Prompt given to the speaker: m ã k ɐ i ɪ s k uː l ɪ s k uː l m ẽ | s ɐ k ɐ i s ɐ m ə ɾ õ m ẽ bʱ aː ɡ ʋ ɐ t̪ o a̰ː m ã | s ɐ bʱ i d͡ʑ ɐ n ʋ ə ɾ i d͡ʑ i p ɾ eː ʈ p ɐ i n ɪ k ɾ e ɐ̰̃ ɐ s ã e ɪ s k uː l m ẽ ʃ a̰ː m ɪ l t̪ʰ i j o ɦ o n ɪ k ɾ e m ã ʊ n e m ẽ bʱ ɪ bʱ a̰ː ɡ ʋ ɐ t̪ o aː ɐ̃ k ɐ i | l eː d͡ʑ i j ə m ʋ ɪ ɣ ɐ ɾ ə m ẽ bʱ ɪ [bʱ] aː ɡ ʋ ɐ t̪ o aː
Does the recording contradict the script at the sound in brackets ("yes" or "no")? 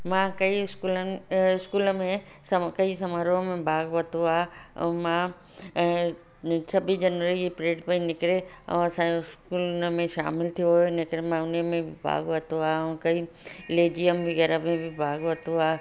no